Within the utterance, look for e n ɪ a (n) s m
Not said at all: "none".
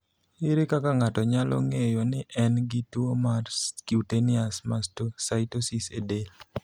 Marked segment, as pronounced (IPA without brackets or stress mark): none